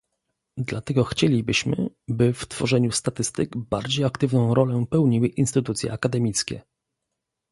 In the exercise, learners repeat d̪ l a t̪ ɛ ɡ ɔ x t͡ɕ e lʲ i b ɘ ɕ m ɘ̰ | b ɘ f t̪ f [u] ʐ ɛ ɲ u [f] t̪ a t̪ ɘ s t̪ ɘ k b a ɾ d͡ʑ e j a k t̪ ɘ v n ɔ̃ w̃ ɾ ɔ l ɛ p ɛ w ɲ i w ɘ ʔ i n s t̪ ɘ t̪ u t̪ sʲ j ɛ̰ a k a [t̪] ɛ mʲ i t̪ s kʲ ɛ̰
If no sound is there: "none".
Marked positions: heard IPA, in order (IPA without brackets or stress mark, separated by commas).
ɔ, s, d̪